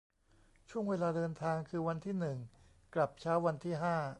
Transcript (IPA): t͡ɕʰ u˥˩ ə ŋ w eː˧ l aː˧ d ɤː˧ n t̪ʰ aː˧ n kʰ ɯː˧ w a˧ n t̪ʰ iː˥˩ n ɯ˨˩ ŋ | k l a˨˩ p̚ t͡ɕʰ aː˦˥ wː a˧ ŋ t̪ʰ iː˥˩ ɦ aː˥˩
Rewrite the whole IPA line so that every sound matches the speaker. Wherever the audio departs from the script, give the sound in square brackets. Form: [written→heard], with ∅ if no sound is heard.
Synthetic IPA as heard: t͡ɕʰ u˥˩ ə ŋ w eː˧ l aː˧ d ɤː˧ n t̪ʰ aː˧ [n→ŋ] kʰ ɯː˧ w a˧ n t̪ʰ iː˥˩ n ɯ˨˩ ŋ | k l a˨˩ p̚ t͡ɕʰ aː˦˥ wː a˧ [ŋ→n] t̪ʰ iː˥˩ ɦ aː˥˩